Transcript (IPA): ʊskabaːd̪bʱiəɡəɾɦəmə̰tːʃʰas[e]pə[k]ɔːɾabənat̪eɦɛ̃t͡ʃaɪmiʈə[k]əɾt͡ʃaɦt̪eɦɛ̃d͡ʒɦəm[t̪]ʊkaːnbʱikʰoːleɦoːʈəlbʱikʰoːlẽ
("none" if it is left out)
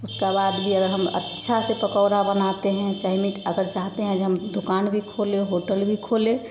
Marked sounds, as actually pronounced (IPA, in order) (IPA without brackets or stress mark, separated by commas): e, k, ɡ, d̪